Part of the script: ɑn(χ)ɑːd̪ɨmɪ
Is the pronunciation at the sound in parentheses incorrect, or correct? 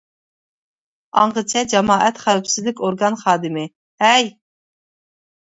correct